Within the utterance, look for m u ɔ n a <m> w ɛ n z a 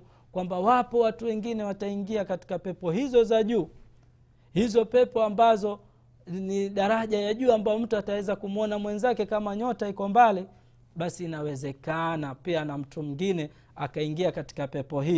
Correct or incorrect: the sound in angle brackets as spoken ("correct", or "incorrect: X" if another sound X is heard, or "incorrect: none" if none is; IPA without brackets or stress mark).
correct